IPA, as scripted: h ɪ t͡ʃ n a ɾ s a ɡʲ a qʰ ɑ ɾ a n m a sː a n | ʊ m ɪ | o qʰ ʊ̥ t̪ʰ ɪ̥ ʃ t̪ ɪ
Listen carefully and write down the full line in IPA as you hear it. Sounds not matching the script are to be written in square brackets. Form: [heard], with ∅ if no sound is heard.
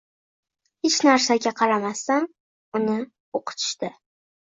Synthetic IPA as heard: h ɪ t͡ʃ n a ɾ s a ɡʲ a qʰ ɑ ɾ a [∅] m a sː a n | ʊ [n] ɪ | o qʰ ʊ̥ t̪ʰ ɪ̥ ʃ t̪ ɪ